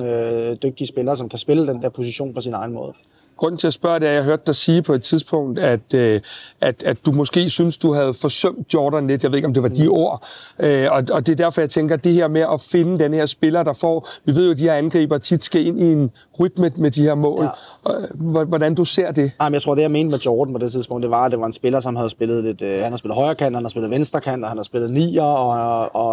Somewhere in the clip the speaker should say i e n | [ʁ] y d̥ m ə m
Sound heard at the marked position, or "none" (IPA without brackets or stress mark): ʁ